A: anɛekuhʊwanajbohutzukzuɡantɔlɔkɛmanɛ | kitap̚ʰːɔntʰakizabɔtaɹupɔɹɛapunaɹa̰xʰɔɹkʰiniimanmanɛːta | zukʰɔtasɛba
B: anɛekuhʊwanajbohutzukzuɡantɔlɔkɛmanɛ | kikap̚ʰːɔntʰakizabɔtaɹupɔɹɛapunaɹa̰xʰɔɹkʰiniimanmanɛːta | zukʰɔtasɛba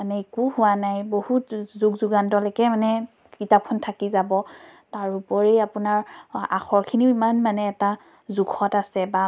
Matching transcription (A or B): A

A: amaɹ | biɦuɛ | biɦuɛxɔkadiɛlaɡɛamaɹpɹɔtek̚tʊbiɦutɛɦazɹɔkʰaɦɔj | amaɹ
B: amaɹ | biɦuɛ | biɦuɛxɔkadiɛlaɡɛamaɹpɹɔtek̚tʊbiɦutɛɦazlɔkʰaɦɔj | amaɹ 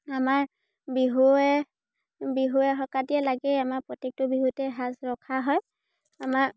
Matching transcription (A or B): A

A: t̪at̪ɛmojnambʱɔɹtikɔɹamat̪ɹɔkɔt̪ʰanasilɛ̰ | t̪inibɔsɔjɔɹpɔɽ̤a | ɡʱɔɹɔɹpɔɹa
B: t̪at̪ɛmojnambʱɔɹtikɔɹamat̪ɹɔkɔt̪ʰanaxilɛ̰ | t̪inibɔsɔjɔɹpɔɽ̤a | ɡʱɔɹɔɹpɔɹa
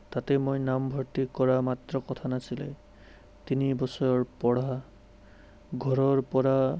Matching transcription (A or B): A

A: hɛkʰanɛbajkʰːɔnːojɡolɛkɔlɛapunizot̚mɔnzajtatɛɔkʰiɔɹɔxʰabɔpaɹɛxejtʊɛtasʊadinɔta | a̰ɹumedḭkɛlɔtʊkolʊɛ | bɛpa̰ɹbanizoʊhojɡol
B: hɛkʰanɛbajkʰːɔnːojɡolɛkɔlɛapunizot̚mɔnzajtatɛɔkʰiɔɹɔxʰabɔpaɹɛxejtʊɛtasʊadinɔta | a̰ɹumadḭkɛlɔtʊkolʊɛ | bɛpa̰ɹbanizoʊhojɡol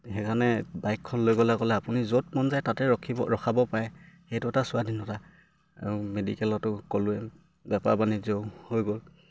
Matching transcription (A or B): A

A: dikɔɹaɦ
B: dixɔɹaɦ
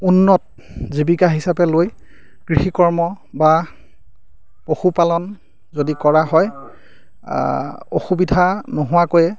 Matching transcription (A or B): A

